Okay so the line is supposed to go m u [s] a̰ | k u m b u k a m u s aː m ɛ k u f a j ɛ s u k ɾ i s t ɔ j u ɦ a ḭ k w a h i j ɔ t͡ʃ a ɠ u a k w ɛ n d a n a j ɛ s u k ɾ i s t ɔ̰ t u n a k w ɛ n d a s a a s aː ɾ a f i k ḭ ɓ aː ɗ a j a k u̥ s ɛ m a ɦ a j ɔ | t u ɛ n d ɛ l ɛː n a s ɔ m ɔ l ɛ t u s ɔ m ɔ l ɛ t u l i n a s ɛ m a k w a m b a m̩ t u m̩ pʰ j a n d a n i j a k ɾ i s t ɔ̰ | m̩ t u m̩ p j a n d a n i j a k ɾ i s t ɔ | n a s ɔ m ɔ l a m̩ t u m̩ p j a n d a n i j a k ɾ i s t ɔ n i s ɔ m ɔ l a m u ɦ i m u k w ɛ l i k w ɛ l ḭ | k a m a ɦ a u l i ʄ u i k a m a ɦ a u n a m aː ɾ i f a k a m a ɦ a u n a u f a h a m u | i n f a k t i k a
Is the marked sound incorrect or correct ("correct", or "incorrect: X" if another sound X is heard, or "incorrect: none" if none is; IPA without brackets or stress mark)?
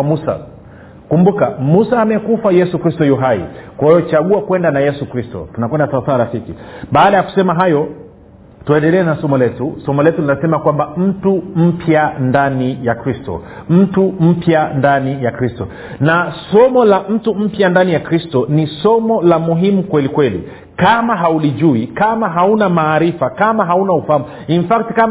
correct